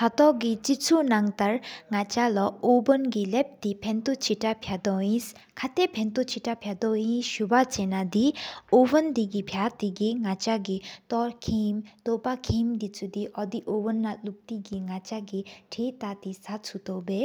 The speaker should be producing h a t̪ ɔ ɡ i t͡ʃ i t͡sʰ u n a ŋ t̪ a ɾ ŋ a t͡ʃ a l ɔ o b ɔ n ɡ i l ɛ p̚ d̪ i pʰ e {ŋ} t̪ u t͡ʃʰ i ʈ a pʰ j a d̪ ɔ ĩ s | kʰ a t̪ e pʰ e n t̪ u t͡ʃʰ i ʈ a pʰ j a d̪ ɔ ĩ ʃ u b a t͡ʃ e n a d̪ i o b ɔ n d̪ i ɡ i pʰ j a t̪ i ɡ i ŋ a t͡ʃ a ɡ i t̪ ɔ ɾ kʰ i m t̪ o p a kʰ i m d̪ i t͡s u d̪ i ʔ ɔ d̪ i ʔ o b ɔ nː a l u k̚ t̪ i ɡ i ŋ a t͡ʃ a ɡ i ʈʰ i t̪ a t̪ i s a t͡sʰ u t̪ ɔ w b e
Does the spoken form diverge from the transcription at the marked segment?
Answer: yes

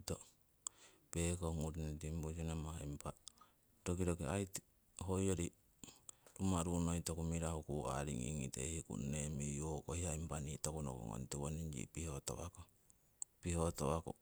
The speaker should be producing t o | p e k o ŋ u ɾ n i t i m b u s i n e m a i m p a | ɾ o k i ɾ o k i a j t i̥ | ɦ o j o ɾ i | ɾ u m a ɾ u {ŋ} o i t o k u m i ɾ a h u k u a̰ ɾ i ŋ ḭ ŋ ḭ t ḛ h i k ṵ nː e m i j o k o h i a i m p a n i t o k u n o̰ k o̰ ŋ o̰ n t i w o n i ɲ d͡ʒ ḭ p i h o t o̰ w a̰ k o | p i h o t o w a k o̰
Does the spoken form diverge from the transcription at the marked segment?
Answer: yes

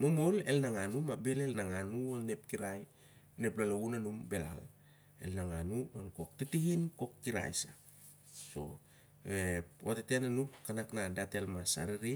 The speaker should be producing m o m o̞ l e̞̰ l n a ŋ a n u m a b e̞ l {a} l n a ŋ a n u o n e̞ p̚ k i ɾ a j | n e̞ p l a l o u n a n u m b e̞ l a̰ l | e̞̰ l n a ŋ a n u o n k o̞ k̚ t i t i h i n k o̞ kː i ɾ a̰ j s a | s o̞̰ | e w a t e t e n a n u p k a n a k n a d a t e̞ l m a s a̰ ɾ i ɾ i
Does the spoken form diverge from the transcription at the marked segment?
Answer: yes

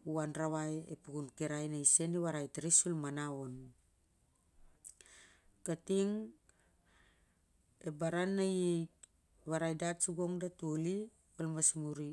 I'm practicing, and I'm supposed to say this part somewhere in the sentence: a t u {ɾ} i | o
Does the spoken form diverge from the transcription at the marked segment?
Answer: yes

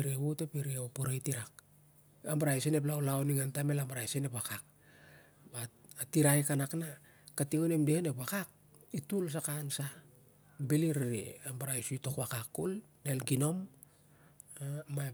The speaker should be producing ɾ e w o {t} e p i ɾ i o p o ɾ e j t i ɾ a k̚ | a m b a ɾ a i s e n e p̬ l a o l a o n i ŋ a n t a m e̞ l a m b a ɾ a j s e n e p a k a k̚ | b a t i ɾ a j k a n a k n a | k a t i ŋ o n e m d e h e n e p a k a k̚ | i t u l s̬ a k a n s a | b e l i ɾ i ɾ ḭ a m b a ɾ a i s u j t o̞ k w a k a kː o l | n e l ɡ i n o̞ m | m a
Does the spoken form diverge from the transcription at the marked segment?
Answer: no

